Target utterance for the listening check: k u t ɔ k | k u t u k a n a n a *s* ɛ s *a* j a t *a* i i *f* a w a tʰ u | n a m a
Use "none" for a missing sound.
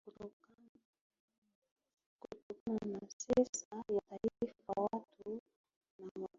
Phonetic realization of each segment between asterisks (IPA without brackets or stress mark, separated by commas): s, a, a, f